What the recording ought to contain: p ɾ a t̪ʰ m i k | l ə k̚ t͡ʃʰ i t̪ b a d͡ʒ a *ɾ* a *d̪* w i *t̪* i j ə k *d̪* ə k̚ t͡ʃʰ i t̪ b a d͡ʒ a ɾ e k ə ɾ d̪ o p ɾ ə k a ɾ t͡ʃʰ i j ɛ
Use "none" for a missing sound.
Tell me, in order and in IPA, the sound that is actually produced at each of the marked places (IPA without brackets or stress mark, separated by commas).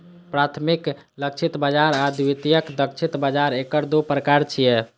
ɾ, d̪, t̪, d̪